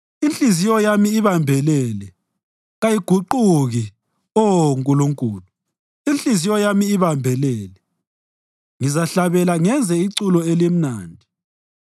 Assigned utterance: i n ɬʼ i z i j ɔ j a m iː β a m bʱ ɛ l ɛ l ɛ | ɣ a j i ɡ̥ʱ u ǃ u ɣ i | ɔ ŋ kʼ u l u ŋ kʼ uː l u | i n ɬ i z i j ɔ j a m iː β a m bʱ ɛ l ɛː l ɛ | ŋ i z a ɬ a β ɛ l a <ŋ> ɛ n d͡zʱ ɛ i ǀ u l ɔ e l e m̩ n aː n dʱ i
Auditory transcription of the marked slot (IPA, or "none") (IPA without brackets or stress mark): ŋ